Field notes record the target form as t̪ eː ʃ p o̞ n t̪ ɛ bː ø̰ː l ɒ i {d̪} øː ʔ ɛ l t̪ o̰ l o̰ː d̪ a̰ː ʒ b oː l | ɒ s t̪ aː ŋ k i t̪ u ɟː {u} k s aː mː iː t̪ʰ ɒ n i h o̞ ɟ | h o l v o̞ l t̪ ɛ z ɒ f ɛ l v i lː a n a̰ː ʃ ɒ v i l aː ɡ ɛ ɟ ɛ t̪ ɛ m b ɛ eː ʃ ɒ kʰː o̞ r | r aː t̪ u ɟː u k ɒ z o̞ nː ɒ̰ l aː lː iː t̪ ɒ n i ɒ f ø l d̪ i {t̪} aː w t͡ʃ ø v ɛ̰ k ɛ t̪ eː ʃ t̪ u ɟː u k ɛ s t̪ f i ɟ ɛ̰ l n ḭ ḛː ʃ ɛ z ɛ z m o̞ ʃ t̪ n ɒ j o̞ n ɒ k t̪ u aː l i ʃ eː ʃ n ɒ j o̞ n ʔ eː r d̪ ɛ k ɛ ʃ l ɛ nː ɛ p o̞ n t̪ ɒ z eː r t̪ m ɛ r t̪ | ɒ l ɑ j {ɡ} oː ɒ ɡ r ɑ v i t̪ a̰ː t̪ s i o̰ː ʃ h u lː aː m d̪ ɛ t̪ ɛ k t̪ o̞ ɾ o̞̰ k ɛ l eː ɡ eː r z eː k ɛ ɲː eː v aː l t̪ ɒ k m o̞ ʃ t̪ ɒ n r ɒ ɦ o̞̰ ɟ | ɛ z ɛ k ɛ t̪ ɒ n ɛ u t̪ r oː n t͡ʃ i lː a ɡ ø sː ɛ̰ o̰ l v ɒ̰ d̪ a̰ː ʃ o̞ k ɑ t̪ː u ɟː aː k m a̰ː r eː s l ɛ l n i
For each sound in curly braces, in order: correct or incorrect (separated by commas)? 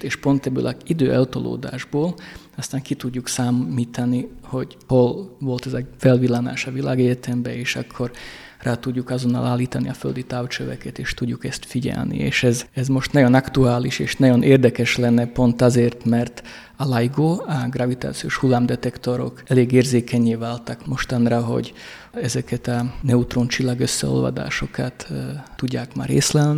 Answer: correct, correct, correct, correct